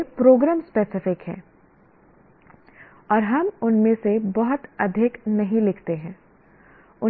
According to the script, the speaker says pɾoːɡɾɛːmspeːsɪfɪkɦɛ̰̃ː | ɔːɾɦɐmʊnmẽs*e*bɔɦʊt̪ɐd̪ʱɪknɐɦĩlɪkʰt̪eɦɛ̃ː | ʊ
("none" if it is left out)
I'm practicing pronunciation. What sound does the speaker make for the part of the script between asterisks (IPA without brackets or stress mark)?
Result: e